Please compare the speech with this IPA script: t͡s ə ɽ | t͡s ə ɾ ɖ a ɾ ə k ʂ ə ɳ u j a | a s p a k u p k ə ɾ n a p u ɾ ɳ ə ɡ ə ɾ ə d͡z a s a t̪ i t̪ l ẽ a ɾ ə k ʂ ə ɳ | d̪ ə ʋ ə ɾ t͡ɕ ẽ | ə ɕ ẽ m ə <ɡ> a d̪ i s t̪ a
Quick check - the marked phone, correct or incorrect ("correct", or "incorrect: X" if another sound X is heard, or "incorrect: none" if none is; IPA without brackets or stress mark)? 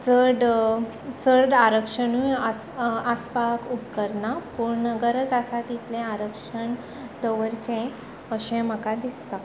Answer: incorrect: k